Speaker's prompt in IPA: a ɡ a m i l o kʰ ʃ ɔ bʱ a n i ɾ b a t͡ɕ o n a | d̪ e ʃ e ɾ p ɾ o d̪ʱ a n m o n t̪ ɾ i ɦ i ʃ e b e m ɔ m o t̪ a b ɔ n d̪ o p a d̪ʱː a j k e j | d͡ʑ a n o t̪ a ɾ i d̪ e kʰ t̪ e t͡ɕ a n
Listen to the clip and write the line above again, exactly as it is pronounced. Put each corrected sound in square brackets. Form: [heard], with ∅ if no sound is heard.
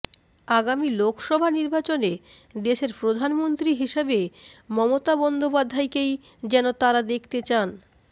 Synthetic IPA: a ɡ a m i l o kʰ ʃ ɔ bʱ a n i ɾ b a t͡ɕ o n [e] | d̪ e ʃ e ɾ p ɾ o d̪ʱ a n m o n t̪ ɾ i ɦ i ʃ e b e m ɔ m o t̪ a b ɔ n d̪ o p a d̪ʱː a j k e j | d͡ʑ [ɛ] n o t̪ a ɾ [a] d̪ e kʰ t̪ e t͡ɕ a n